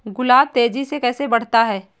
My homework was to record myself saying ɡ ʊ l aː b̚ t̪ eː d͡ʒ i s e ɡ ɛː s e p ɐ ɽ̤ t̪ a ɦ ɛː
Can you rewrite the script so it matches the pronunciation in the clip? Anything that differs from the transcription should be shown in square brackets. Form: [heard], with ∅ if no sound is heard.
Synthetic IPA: ɡ ʊ l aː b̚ t̪ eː d͡ʒ i s e [k] ɛː s e [b] ɐ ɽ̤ t̪ a ɦ ɛː